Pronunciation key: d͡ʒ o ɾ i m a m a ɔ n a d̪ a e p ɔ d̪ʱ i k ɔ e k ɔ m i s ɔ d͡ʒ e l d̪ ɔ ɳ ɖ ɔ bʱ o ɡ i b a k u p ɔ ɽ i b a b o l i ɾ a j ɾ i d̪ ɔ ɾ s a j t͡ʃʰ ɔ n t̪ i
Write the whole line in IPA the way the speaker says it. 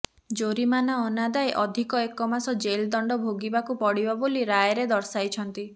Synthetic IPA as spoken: d͡ʒ o ɾ i m a n a ɔ n a d̪ a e ʔ ɔ d̪ʱ i k ɔ e k ɔ m a s ɔ d͡ʒ e l d̪ ɔ ɳ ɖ ɔ bʱ o ɡ i b a k u p ɔ ɽ i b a b o l i ɾ a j ɾ e d̪ ɔ ɾ s a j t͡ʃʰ ɔ n t̪ i